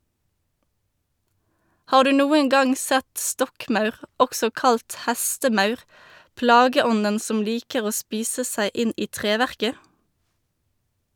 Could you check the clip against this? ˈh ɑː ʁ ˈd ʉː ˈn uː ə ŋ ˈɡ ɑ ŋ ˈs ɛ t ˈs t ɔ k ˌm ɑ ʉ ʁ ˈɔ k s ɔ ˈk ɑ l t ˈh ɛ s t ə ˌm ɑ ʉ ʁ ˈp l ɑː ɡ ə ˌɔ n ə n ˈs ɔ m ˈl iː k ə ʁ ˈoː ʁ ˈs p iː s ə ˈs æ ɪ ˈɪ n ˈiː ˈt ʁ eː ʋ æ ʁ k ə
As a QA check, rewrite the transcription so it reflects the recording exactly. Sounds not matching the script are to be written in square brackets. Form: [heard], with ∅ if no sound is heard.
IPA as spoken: ˈh ɑː ʁ ˈd ʉː ˈn uː ə ŋ ˈɡ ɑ ŋ ˈs ɛ t ˈs t ɔ k ˌm ɑ ʉ ʁ ˈɔ k s ɔ ˈk ɑ l t ˈh [æ] s t ə ˌm ɑ ʉ ʁ ˈp l ɑː ɡ ə ˌɔ n ə n ˈs ɔ m ˈl iː k ə ʁ ˈoː [∅] ˈs p iː s ə ˈs æ ɪ ˈɪ n ˈiː ˈt ʁ eː ʋ æ ʁ k ə